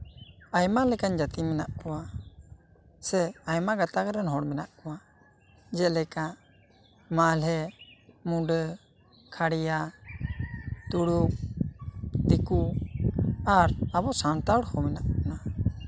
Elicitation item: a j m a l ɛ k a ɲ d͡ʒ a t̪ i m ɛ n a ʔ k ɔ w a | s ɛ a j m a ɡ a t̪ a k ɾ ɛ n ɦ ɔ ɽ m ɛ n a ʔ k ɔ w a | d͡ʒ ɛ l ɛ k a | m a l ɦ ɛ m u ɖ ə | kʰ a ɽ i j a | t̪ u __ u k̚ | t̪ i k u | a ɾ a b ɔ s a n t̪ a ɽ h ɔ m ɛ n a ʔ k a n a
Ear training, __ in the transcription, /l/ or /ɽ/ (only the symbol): ɽ